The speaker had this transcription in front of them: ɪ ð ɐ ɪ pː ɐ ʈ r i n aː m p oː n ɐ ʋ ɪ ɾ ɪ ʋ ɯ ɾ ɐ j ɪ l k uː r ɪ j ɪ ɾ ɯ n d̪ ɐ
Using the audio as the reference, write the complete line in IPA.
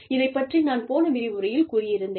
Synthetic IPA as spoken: ɪ ð ɐ ɪ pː ɐ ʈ r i n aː n p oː n ɐ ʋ ɪ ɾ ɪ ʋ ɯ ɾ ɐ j ɪ l k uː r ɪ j ɪ ɾ ɯ n d̪ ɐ